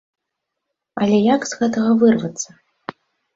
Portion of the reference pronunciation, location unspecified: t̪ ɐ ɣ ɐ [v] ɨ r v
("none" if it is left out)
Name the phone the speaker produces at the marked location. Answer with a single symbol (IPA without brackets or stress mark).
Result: v